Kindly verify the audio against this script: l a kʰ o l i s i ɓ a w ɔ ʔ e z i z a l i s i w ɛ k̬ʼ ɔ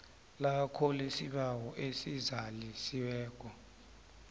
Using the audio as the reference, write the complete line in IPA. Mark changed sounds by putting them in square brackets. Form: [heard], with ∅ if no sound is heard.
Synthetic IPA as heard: l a kʰ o l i s i ɓ a w ɔ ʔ e [s] i z a l i s i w [ɛː] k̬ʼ ɔ